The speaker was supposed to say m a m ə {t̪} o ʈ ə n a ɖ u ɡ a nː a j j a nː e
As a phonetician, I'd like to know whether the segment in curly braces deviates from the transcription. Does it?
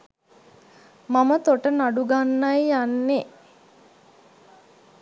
no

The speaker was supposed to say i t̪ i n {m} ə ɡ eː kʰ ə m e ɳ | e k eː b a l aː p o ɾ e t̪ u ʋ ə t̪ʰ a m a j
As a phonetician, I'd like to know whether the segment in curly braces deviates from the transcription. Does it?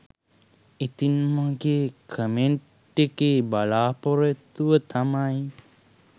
no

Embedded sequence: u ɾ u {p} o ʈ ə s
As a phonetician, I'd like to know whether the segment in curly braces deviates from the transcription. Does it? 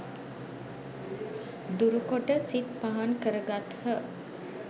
yes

